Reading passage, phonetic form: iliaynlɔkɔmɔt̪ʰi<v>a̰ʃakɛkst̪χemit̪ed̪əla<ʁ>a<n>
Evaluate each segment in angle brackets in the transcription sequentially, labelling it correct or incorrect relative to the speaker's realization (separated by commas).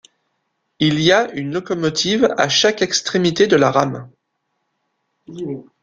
correct, correct, incorrect